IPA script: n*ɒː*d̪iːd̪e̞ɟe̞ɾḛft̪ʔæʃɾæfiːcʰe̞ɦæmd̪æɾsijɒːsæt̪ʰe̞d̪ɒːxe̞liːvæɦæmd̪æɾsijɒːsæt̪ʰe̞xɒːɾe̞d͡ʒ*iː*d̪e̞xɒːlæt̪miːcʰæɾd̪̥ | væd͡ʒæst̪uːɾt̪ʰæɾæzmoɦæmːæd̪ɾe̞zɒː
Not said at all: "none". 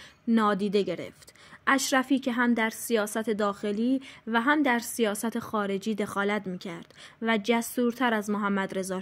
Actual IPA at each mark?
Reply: ɒː, iː

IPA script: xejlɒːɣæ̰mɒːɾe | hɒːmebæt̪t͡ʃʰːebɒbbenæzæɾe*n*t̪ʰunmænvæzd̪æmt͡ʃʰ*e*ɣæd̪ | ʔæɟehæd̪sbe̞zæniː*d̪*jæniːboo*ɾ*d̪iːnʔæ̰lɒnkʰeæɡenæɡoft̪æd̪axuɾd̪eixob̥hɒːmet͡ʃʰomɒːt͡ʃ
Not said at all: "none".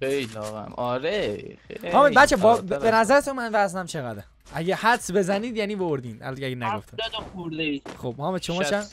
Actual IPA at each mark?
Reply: none, e, d̪, ɾ

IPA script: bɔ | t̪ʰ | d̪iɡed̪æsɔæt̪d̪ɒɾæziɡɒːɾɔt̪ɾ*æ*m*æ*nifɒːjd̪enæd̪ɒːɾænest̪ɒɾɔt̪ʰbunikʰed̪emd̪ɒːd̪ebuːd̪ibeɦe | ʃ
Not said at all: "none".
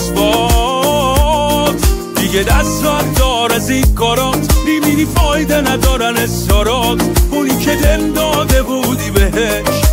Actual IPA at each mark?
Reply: i, i

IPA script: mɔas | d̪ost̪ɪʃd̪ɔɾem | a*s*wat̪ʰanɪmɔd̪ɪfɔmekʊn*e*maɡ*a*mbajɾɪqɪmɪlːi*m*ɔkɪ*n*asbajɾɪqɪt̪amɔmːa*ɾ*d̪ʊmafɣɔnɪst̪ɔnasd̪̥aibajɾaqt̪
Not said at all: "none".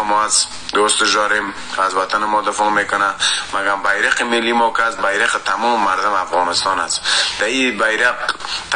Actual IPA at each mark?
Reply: z, a, a, m, none, ɾ

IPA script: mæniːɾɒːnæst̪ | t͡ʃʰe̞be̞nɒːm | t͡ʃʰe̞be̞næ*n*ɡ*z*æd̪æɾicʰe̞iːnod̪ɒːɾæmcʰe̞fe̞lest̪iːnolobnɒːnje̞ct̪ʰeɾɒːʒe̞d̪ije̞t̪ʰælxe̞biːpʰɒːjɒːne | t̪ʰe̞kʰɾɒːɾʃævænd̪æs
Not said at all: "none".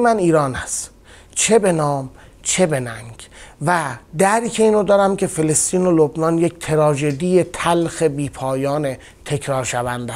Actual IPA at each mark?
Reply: ŋ, v

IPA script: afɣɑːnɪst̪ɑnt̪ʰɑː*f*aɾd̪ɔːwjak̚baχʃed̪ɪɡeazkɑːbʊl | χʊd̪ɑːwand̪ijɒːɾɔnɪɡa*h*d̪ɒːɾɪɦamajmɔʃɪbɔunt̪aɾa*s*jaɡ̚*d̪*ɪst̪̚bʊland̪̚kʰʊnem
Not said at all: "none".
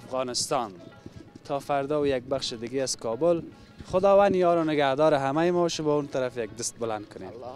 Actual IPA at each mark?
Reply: f, h, f, d̪

